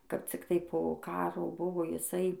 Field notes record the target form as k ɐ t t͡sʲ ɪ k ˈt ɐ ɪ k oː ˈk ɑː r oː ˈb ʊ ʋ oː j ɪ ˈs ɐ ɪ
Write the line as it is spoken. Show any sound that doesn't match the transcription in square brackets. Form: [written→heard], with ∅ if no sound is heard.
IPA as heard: k ɐ [t→p] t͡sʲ ɪ k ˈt ɐ ɪ [k→p] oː ˈk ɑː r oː ˈb ʊ ʋ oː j ɪ ˈs ɐ ɪ